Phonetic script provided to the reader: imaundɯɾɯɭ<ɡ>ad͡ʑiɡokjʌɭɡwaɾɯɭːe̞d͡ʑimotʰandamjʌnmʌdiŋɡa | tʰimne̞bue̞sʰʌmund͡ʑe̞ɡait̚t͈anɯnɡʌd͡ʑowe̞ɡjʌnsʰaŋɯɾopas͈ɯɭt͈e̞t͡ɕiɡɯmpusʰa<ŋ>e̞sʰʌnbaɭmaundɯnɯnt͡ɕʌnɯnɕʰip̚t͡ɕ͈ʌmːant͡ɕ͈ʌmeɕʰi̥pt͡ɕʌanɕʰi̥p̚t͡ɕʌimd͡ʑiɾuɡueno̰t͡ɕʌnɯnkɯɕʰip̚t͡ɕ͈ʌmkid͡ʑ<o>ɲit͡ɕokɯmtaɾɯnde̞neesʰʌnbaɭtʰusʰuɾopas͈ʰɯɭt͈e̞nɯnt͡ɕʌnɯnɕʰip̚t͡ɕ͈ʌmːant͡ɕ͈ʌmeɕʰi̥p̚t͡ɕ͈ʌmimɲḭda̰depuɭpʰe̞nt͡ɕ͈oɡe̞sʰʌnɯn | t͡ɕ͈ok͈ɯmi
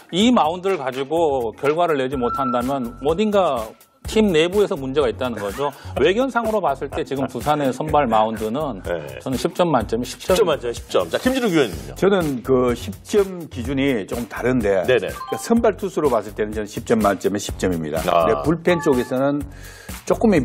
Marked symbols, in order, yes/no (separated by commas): no, no, no